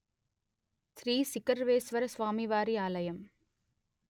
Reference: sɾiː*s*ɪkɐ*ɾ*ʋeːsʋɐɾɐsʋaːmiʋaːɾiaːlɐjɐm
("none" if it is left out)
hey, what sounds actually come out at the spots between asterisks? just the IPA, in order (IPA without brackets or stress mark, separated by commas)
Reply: s, ɾ